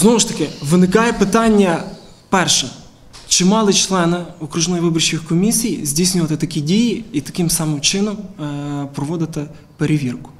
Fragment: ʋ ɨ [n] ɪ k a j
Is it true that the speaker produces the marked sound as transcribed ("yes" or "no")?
yes